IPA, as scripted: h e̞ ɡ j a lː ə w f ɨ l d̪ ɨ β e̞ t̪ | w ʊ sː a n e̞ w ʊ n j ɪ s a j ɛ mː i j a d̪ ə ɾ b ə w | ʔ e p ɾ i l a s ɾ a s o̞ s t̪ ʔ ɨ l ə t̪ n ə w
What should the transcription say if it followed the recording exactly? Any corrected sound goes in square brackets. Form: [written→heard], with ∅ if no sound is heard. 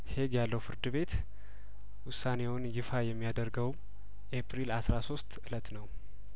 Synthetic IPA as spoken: h e̞ ɡ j a lː ə w f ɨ [l→ɾ] d̪ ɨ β e̞ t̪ | w ʊ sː a n e̞ w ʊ n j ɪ [s→f] a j ɛ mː i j a d̪ ə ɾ [b→ɡ] ə w | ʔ e p ɾ i l a s ɾ a s o̞ s t̪ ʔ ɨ l ə t̪ n ə w